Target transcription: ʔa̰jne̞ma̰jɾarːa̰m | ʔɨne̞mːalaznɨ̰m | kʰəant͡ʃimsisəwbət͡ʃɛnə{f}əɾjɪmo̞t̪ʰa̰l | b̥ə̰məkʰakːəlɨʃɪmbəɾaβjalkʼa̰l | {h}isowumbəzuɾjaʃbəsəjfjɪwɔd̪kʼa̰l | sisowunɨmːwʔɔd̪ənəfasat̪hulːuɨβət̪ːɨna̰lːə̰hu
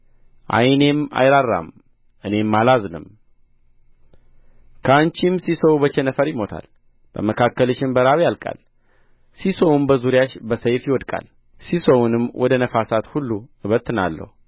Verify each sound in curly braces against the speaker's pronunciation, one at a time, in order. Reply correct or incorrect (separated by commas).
correct, incorrect